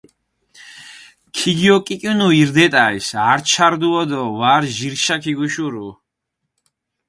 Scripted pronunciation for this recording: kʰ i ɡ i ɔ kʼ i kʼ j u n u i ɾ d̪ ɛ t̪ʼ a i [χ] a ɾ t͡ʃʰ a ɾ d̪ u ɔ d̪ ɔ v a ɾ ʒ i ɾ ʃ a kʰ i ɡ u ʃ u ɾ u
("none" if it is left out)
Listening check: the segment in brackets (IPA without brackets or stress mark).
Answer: s